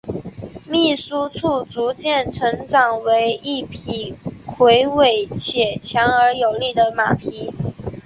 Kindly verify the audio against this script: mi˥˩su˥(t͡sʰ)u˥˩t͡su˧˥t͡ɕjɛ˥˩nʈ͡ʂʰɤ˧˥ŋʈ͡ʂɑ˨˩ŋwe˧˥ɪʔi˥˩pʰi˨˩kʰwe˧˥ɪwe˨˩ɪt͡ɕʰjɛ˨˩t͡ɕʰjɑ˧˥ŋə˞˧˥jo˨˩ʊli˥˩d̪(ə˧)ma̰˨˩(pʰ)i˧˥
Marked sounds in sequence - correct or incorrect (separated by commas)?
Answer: correct, incorrect, correct